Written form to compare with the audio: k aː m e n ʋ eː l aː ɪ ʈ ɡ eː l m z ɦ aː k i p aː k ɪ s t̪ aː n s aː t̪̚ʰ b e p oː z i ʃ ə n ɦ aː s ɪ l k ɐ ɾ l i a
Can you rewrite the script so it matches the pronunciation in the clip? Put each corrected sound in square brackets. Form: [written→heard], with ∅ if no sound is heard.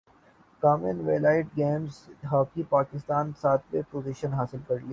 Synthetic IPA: k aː m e n ʋ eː l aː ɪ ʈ ɡ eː [l→∅] m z ɦ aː k i p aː k ɪ s t̪ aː n s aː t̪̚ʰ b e p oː z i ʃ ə n ɦ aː s ɪ l k ɐ ɾ l i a